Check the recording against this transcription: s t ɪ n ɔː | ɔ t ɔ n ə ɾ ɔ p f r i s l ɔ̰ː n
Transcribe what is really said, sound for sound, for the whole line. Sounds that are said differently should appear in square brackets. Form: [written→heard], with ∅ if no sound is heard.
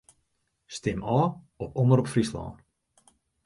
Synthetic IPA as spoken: s t ɪ [n→m] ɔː | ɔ [t→p] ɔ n ə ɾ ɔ p f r i s l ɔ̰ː n